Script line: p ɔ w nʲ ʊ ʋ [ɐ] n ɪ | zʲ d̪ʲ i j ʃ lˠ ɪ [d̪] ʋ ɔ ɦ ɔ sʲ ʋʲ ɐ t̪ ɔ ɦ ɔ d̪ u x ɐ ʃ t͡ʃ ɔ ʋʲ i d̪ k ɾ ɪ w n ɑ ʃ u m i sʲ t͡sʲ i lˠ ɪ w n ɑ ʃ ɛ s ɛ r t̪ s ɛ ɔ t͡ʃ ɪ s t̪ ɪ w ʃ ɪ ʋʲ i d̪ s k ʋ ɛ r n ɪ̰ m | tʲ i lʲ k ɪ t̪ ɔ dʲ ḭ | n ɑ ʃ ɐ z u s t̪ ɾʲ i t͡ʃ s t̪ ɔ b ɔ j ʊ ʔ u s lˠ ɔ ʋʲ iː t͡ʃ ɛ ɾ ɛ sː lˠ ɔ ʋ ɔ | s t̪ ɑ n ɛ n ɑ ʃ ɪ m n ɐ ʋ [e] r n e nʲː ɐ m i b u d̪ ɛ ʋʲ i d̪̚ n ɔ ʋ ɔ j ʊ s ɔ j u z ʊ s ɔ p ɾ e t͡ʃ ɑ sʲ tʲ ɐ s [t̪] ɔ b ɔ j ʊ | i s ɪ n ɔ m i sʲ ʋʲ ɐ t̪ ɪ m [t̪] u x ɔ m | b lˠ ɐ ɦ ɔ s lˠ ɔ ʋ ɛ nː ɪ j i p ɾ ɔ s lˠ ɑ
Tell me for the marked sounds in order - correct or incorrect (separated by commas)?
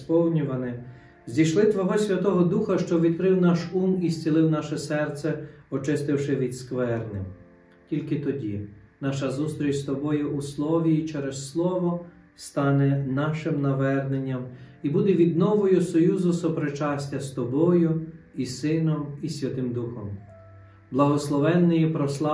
correct, incorrect, incorrect, correct, incorrect